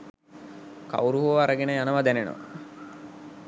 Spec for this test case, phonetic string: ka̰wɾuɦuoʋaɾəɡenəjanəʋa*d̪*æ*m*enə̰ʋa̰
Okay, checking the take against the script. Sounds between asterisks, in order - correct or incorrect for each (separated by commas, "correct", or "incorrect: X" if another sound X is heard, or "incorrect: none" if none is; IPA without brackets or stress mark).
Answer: correct, incorrect: n